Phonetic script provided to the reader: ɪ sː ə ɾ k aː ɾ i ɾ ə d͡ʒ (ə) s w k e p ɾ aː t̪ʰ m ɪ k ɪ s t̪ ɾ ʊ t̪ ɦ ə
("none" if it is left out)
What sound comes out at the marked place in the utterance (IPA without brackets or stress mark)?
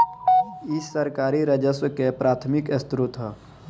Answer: ə